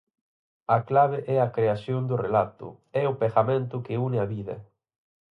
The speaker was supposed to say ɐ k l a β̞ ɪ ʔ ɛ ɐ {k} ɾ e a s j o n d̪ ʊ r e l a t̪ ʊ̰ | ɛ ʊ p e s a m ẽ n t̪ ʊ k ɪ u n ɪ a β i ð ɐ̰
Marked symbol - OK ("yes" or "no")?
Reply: yes